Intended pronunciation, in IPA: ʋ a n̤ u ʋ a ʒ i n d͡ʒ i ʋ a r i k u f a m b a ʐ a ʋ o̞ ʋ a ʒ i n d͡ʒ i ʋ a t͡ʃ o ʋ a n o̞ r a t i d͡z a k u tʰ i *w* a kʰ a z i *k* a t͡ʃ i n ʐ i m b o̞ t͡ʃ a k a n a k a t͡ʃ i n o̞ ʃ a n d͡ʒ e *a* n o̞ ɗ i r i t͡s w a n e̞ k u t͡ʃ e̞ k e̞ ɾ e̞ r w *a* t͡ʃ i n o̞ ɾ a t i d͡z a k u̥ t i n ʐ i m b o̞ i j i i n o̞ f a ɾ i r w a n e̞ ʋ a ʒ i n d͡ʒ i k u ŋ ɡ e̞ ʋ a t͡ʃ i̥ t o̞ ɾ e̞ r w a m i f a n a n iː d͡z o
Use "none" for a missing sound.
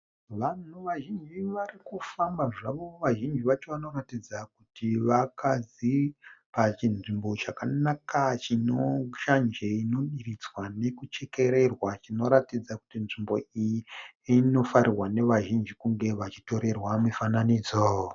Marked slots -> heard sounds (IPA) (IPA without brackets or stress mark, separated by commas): ʋ, p, i, a